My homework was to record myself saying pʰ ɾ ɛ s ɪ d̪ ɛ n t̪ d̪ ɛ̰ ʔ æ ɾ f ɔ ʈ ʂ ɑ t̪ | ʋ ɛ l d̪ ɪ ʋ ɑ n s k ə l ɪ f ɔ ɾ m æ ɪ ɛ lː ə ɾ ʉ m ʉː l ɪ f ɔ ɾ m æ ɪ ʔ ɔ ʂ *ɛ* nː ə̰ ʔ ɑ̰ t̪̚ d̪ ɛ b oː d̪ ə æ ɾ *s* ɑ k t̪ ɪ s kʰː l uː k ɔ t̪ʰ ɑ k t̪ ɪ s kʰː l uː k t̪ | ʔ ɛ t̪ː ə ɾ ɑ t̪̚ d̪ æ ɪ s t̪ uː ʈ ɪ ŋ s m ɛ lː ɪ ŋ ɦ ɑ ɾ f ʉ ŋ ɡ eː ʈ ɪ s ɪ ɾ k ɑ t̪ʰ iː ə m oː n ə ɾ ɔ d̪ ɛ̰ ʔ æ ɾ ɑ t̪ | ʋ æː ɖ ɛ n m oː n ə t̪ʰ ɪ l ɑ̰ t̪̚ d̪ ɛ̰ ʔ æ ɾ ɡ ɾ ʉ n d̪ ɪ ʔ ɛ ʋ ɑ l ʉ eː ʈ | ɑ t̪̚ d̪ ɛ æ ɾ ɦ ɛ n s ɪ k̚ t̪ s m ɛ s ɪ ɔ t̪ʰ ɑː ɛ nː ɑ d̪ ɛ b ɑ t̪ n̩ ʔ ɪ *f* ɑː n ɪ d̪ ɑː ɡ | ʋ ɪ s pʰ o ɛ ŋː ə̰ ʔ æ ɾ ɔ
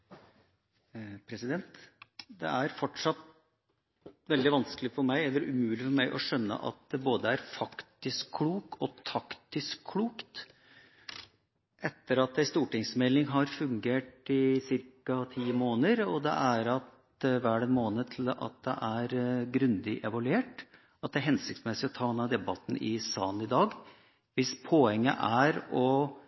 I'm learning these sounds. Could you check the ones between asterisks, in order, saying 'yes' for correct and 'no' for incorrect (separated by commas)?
no, no, no